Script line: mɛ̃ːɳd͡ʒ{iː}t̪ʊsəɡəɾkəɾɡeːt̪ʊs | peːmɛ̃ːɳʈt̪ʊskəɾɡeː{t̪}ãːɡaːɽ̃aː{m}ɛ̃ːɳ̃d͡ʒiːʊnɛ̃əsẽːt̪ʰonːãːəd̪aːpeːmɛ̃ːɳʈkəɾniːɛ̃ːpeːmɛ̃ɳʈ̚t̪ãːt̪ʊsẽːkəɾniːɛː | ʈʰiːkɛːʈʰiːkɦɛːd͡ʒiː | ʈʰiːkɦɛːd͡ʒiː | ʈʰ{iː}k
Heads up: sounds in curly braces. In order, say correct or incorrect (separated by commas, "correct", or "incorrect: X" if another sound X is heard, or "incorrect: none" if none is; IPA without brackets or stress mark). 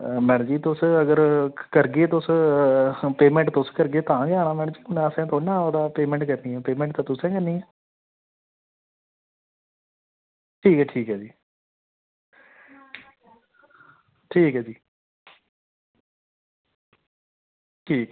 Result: correct, correct, correct, correct